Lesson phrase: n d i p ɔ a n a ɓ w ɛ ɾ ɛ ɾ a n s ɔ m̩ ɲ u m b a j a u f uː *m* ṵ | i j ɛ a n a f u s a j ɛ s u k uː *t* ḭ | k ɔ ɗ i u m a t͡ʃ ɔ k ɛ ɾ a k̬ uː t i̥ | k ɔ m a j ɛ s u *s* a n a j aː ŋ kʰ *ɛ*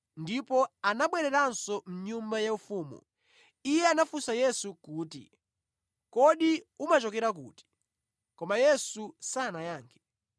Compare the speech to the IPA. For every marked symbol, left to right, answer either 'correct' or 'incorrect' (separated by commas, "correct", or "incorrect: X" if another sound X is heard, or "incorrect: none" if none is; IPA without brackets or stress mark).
correct, correct, correct, correct